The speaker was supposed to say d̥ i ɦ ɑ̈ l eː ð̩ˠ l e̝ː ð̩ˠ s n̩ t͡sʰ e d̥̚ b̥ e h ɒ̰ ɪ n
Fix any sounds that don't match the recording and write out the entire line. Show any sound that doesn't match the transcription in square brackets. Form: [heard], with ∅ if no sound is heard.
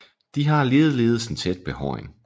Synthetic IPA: d̥ i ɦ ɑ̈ l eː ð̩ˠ l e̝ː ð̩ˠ s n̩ t͡sʰ e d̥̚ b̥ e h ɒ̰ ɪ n